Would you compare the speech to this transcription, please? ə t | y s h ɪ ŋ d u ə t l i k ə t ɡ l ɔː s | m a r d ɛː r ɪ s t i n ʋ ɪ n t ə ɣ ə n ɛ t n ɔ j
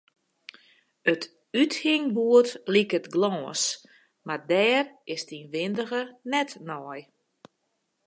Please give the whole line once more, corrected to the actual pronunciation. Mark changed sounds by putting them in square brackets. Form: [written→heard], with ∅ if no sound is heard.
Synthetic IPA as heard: ə t | y [s→t] h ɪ ŋ [d→b] u ə t l i k ə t ɡ l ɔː s | m a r d ɛː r ɪ s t i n ʋ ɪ n [t→d] ə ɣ ə n ɛ t n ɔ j